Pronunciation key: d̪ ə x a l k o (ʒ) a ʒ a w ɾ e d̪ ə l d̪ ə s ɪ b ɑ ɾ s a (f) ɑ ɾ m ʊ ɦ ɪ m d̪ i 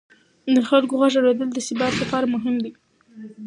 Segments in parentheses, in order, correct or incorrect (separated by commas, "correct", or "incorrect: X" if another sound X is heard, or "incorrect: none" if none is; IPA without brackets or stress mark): incorrect: ɣ, correct